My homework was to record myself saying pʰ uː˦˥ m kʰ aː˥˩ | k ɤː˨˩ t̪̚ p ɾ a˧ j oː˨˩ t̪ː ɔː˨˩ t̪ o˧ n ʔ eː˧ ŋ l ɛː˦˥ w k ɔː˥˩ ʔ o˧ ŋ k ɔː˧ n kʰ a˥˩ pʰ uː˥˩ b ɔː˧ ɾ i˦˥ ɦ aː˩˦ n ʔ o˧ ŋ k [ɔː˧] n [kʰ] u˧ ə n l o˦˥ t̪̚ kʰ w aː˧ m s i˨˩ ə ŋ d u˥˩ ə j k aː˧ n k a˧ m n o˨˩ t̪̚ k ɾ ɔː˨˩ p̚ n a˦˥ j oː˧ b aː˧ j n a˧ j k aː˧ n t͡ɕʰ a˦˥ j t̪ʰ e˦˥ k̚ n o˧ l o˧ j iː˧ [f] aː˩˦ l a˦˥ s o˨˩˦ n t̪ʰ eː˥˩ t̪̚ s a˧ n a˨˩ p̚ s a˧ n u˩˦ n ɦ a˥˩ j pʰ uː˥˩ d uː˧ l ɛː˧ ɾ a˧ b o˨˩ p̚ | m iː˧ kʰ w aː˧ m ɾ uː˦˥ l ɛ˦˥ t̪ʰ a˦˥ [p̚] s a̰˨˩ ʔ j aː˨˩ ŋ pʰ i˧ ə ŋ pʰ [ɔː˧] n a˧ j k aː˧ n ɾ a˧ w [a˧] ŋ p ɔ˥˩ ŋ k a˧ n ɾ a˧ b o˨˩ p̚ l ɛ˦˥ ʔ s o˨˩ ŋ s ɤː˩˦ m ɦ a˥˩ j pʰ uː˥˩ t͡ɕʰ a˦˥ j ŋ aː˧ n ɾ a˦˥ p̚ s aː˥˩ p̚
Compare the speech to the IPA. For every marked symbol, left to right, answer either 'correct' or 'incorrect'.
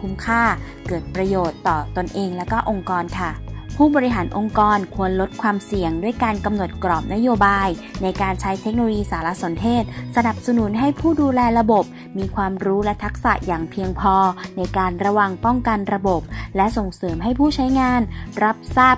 correct, correct, incorrect, incorrect, correct, correct

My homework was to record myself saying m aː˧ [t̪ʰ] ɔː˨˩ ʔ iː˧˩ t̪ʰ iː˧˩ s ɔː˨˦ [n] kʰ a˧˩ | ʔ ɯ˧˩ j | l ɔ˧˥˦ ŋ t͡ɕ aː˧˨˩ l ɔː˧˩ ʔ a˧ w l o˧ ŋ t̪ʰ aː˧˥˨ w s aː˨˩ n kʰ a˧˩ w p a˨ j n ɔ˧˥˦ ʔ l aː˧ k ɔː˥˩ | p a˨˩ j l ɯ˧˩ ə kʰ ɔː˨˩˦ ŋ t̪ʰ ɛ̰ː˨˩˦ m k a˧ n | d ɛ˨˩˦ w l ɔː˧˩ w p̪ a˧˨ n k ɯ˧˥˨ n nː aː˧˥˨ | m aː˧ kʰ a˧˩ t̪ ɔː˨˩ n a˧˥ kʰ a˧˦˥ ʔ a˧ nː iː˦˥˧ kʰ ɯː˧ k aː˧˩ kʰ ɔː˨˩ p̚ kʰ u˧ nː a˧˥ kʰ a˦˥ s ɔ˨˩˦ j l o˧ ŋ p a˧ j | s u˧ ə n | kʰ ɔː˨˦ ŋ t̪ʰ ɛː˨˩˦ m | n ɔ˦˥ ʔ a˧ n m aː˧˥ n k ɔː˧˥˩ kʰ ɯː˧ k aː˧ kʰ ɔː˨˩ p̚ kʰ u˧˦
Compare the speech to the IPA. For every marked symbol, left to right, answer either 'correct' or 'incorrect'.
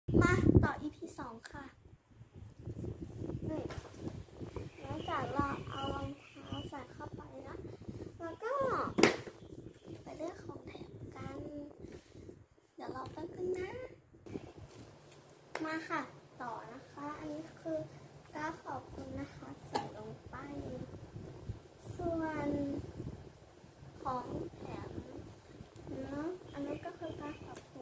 incorrect, incorrect

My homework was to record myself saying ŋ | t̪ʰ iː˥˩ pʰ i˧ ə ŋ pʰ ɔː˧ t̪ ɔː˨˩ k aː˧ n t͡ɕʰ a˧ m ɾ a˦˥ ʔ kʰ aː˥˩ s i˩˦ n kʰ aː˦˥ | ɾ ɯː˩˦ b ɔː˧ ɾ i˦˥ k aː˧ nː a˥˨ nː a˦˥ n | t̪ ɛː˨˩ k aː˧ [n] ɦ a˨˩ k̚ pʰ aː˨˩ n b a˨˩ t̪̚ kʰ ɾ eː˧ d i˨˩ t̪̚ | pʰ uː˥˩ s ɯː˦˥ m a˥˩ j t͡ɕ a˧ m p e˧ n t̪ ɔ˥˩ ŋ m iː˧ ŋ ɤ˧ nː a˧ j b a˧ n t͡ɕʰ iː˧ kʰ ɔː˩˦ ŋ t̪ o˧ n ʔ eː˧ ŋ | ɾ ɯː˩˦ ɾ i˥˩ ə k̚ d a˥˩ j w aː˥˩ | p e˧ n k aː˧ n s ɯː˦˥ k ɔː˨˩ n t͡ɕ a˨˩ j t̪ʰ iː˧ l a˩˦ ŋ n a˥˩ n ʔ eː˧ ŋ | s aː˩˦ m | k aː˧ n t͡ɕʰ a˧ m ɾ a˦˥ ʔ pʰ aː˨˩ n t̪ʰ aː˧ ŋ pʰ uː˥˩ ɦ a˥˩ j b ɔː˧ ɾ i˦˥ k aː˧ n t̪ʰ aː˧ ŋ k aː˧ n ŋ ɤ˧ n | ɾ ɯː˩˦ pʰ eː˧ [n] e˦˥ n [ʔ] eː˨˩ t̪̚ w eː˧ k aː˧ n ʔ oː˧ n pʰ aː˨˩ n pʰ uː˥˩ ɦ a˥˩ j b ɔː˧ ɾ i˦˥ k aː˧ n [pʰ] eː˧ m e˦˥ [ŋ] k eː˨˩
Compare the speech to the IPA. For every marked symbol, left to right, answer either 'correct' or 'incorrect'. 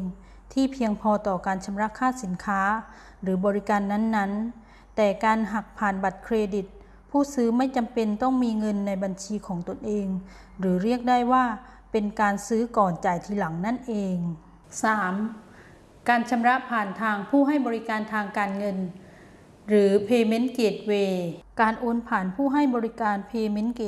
correct, incorrect, incorrect, correct, incorrect

